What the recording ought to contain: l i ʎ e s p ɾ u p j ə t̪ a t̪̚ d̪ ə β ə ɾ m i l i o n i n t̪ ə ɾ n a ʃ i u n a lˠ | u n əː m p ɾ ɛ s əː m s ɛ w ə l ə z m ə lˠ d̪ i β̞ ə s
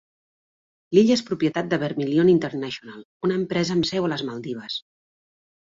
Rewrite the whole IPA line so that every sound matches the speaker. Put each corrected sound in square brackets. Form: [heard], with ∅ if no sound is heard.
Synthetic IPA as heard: l i ʎ e s p ɾ u p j ə t̪ a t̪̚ d̪ ə β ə ɾ m i l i o n i n t̪ ə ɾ n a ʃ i u n a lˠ | u n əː m p ɾ ɛ [z] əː m s ɛ w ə l ə z m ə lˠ d̪ i β̞ ə s